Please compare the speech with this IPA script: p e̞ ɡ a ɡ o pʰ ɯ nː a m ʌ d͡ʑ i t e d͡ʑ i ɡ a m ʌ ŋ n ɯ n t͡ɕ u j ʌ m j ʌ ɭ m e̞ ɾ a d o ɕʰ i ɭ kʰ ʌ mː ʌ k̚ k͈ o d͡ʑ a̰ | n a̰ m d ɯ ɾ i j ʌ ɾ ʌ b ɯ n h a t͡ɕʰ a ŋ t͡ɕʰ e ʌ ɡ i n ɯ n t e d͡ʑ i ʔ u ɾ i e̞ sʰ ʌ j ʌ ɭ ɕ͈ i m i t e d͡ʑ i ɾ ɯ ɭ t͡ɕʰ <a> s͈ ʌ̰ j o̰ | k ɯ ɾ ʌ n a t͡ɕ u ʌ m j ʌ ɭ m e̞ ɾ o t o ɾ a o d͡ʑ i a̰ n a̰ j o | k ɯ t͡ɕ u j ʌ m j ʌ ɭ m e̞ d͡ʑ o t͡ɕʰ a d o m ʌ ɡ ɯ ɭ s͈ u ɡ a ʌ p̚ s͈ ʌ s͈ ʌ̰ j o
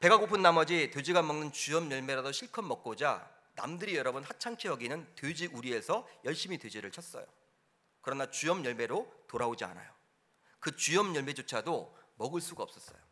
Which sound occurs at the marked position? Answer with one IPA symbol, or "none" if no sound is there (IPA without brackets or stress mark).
ʌ